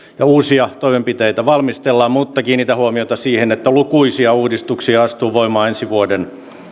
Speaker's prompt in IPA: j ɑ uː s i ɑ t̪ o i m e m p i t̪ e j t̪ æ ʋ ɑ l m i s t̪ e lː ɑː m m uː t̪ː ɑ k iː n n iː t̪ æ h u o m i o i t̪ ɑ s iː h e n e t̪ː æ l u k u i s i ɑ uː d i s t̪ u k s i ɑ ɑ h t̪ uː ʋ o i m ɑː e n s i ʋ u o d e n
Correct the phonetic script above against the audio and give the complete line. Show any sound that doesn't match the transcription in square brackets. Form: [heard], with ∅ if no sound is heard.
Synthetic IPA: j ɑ uː s i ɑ t̪ o i m e m p i t̪ e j t̪ æ ʋ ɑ l m i s t̪ e lː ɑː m m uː t̪ː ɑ k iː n n iː t̪ æ h u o m i o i t̪ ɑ s iː h e n e t̪ː æ l u k u i s i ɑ uː d i s t̪ u k s i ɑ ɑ [s] t̪ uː ʋ o i m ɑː e n s i ʋ u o d e n